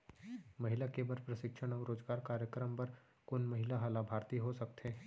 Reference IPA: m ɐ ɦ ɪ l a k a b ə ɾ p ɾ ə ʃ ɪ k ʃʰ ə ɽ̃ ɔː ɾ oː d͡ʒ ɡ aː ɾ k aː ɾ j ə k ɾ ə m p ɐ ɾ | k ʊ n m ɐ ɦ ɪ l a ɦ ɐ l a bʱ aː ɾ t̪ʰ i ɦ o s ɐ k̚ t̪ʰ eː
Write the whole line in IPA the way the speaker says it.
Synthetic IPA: m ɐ ɦ ɪ l a k e b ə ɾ p ɾ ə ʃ ɪ k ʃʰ ə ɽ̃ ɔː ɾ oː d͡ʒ ɡ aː ɾ k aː ɾ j ə k ɾ ə m p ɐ ɾ | k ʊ n m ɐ ɦ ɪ l a ɦ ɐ l a bʱ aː ɾ t̪ i ɦ o s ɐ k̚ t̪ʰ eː

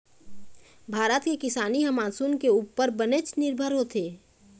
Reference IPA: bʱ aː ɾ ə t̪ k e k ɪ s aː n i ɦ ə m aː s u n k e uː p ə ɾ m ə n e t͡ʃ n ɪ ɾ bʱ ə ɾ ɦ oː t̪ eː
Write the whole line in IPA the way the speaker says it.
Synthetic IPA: bʱ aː ɾ ə t̪ k e k ɪ s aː n i ɦ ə m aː s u n k e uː p ə ɾ b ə n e t͡ʃ n ɪ ɾ bʱ ə ɾ ɦ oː t̪ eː

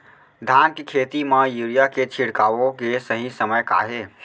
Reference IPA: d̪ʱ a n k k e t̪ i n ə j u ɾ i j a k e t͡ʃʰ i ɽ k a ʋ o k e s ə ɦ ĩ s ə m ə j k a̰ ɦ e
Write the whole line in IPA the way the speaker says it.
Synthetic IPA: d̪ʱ a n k kʰ e t̪ i m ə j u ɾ i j a k e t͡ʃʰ i ɽ k a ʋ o k e s ə ɦ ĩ s ə m ə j k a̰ ɦ e

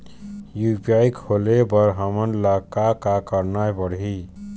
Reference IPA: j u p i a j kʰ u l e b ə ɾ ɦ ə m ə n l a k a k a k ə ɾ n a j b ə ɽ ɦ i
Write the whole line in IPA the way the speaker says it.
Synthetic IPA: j u p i a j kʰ o l e b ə ɾ ɦ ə m ə n l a k a k a k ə ɾ n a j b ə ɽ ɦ i

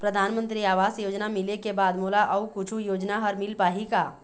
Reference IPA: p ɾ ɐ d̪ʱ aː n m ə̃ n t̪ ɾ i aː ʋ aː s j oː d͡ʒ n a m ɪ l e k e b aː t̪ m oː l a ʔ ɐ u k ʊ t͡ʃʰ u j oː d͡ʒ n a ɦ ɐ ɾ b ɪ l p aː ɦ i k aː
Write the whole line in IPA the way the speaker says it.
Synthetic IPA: p ɾ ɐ d̪ʱ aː n m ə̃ n t̪ ɾ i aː ʋ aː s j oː d͡ʒ n a m ɪ l e k e b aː d̪ m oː l a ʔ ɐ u k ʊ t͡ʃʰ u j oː d͡ʒ n a ɦ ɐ ɾ m ɪ l p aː ɦ i k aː

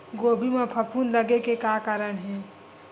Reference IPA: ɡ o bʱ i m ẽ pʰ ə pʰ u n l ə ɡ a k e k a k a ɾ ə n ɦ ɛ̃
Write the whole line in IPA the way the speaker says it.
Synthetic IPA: ɡ o bʱ i m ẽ pʰ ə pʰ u n l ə ɡ e k e k a k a ɾ ə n ɦ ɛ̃

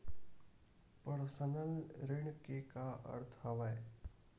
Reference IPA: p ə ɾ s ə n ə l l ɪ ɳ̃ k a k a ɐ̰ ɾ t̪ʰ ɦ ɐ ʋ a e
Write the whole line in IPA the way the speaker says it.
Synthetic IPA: p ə ɾ s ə n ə l ɾ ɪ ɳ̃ k e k a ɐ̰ ɾ t̪ʰ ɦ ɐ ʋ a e

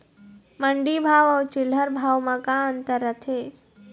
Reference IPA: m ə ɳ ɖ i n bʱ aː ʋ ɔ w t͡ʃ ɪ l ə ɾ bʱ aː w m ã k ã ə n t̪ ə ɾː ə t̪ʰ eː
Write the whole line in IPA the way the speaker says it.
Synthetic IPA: m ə ɳ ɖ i bʱ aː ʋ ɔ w t͡ʃ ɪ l ə ɾ bʱ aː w m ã k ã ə n t̪ ə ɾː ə t̪ʰ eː

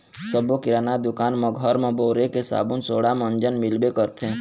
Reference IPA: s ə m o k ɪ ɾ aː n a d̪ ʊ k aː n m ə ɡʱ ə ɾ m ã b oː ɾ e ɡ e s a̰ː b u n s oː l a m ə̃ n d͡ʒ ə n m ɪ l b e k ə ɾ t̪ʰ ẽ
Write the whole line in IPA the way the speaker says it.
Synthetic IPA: s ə b o k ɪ ɾ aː n a d̪ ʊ k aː n m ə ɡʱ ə ɾ m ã b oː ɾ e k e s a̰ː b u n s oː ɽ a m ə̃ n d͡ʒ ə n m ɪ l b e k ə ɾ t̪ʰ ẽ

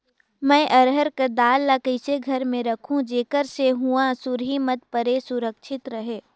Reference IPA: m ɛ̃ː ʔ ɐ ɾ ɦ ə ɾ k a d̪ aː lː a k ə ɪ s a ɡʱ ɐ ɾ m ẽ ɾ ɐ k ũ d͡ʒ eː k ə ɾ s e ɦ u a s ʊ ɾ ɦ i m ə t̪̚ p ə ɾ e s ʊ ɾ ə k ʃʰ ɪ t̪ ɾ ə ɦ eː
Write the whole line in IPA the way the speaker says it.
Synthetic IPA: m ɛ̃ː ʔ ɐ ɾ ɦ ə ɾ k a d̪ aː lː a k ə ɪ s e ɡʱ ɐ ɾ m ẽ ɾ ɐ kʰ ũ d͡ʒ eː k ə ɾ s e ɦ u a s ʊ ɾ ɦ i m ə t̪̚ p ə ɾ e s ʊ ɾ ə k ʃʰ ɪ t̪ ɾ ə ɦ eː

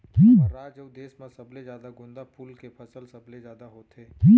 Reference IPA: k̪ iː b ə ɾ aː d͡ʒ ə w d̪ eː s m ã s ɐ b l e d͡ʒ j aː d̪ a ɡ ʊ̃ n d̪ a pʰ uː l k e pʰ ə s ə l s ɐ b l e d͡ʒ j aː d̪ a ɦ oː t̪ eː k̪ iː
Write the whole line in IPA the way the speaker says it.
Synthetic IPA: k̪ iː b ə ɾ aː d͡ʒ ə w d̪ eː s m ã s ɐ b l e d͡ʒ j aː d̪ a ɡ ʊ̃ n d̪ a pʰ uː l k e pʰ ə s ə l s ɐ b l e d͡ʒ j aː d̪ a ɦ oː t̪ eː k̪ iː

